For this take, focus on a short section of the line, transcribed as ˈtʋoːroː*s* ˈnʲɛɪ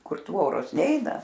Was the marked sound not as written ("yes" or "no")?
no